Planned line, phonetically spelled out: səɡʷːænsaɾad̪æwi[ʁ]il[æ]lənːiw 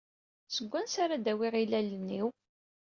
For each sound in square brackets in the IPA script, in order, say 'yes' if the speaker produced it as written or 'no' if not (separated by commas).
yes, yes